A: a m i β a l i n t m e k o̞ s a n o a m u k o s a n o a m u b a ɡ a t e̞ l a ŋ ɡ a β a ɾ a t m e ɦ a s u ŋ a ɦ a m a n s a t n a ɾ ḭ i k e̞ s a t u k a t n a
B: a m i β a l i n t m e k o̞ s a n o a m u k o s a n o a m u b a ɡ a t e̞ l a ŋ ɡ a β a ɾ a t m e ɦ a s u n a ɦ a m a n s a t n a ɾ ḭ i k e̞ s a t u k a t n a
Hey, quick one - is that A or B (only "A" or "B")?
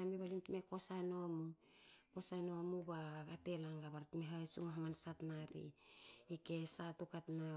A